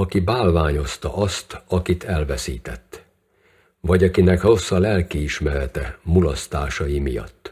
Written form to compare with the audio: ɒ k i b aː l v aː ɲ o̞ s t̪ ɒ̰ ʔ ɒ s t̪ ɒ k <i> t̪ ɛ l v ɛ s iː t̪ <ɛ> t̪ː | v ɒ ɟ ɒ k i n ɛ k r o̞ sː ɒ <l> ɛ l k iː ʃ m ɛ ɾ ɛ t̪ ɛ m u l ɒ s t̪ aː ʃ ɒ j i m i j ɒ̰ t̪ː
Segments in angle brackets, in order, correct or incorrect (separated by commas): correct, correct, correct